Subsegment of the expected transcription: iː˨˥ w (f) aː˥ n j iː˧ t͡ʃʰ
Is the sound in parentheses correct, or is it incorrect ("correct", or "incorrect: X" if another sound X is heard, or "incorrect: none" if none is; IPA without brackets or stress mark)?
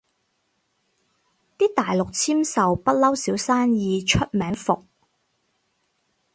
incorrect: s